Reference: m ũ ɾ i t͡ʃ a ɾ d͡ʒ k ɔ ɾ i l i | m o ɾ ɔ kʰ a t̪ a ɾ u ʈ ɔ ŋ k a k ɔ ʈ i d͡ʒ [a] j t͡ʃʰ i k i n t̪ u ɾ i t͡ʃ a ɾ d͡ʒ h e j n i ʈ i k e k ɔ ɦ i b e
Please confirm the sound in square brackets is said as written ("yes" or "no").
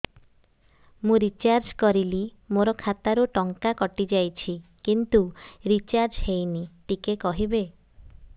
yes